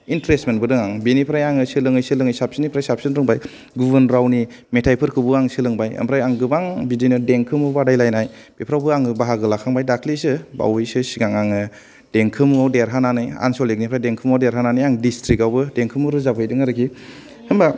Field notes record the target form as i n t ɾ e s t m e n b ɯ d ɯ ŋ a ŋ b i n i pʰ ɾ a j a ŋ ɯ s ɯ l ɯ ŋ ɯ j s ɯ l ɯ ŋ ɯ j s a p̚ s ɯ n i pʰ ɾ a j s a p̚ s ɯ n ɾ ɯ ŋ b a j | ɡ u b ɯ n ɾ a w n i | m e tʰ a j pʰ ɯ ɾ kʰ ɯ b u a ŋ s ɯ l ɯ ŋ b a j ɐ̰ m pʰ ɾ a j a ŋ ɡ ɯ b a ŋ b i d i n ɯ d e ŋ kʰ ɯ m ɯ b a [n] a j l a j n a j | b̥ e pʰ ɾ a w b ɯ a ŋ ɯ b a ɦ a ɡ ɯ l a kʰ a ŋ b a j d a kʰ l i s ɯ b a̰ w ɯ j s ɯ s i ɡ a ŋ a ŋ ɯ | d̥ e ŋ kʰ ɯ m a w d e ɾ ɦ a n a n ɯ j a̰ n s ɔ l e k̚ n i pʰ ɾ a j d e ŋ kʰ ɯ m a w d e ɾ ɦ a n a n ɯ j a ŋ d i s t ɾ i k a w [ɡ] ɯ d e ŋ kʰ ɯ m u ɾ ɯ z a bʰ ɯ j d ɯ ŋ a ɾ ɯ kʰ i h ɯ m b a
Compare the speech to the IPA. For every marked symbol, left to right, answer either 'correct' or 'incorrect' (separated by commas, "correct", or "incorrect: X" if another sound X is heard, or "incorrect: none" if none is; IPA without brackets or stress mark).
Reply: incorrect: d, incorrect: b